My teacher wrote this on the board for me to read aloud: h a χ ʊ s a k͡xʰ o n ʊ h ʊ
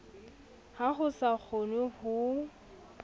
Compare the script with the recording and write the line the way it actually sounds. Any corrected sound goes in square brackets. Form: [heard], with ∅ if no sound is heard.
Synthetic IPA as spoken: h a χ ʊ s a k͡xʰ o n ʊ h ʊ